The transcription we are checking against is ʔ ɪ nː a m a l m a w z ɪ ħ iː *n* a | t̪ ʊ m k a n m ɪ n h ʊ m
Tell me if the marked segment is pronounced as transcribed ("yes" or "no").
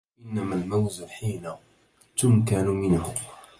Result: yes